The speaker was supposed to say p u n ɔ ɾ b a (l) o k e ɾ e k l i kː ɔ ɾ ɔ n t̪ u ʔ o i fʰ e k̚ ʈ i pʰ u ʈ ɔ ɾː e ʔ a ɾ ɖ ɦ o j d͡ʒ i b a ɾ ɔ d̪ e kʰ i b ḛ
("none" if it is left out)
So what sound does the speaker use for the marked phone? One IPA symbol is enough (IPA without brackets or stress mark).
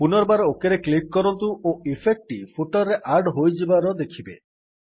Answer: ɾ